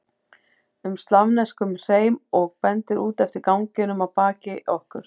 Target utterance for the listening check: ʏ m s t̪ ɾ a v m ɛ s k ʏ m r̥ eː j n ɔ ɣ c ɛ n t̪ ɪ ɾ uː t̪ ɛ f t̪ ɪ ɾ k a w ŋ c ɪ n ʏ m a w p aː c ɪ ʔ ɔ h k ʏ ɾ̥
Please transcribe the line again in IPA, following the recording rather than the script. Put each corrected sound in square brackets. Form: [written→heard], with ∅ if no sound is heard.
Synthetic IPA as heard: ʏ m s t̪ [ɾ→l] a v [m→n] ɛ s k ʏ m r̥ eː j [n→m] ɔ ɣ [c→p] ɛ n t̪ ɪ ɾ uː t̪ ɛ f t̪ ɪ ɾ k a w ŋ c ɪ n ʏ m a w p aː c ɪ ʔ ɔ h k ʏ ɾ̥

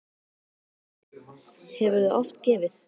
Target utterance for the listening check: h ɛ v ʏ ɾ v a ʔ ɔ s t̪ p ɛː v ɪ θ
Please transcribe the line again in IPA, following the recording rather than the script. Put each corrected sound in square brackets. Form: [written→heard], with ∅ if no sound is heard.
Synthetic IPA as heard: h ɛ v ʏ ɾ [v→ð] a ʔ ɔ [s→f] t̪ [p→c] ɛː v ɪ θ

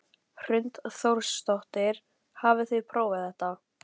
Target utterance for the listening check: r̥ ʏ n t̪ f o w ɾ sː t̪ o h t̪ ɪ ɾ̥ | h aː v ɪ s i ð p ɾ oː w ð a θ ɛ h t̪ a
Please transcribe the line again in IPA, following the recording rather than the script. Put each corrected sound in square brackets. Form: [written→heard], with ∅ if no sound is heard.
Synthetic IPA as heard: r̥ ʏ n t̪ [f→θ] o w ɾ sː t̪ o h t̪ ɪ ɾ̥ | h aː v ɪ [s→θ] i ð [p→pʰ] ɾ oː w [ð→v] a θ ɛ h t̪ a

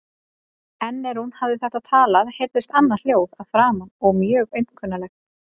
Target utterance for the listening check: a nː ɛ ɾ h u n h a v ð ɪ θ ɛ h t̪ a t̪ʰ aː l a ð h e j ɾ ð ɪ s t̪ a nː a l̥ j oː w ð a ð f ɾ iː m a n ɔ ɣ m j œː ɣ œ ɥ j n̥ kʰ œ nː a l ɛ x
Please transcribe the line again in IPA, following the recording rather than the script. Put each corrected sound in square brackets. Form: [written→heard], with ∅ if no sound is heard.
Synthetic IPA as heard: [a→ɛ] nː ɛ ɾ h u n h a v ð ɪ θ ɛ h t̪ a t̪ʰ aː l a ð h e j ɾ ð ɪ s t̪ a nː a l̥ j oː w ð a ð f ɾ [iː→aː] m a n ɔ ɣ m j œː ɣ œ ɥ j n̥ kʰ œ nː a l ɛ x

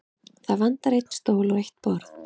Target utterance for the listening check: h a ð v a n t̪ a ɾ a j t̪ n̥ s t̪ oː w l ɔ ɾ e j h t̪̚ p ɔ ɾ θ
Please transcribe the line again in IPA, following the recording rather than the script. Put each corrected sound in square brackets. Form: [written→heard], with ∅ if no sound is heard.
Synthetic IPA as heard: [h→θ] a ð v a n t̪ a ɾ [a→e] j t̪ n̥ s t̪ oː w l ɔ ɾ e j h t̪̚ p ɔ ɾ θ

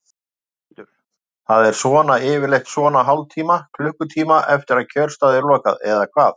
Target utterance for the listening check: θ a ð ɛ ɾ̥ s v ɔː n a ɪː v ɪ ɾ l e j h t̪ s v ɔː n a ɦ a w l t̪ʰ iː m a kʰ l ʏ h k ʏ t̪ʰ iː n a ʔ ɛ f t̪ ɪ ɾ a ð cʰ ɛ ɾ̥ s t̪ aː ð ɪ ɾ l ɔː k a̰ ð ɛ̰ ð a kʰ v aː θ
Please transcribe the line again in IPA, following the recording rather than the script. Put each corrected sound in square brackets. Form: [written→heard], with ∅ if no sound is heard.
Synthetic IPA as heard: θ a ð ɛ ɾ̥ s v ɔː n a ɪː v ɪ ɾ l e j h t̪ s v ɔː n a ɦ a w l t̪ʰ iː m a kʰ l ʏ h k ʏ t̪ʰ iː [n→m] a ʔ ɛ f t̪ ɪ ɾ a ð cʰ [ɛ→œ] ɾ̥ s t̪ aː ð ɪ ɾ l ɔː k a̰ ð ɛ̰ ð a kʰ v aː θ

